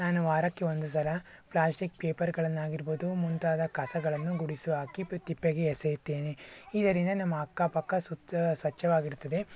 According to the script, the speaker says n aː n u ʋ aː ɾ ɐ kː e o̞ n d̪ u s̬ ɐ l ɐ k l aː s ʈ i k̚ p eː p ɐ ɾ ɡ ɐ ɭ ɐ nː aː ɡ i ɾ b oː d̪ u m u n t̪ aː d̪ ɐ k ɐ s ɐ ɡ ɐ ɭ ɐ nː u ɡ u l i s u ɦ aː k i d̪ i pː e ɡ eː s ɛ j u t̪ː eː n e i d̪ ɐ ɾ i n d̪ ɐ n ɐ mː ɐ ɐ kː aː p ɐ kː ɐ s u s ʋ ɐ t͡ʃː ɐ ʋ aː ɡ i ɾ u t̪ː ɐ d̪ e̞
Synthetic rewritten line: n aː n u ʋ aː ɾ ɐ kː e o̞ n d̪ u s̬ ɐ l ɐ p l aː s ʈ i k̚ p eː p ɐ ɾ ɡ ɐ ɭ ɐ nː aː ɡ i ɾ b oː d̪ u m u n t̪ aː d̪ ɐ k ɐ s ɐ ɡ ɐ ɭ ɐ nː u ɡ u ɽ i s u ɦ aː k i t̪ i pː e ɡ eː s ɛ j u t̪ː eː n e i d̪ ɐ ɾ i n d̪ ɐ n ɐ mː ɐ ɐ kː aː p ɐ kː ɐ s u s ʋ ɐ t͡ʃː ɐ ʋ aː ɡ i ɾ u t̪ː ɐ d̪ e̞